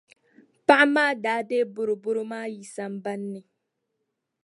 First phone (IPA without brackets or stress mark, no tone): p